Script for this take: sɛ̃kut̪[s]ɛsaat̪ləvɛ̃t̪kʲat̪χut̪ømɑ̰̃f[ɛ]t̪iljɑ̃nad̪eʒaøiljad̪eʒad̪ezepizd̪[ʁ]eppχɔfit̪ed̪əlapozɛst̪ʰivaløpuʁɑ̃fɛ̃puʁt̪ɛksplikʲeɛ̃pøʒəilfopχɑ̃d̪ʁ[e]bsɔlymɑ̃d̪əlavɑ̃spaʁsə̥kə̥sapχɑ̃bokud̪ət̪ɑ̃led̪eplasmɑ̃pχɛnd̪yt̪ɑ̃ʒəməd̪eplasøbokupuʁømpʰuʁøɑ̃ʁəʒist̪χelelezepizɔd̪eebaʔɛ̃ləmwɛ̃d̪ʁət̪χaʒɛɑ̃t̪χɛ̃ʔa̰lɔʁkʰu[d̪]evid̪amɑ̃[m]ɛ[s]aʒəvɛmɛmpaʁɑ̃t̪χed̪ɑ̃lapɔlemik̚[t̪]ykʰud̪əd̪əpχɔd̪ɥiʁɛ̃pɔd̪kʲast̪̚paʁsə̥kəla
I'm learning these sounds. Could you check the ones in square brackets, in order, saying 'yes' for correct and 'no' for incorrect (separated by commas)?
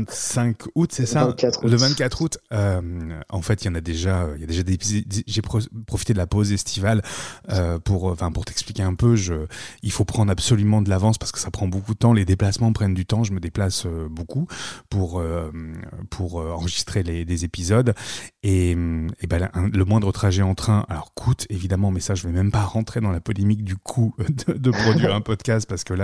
yes, yes, no, no, no, yes, yes, no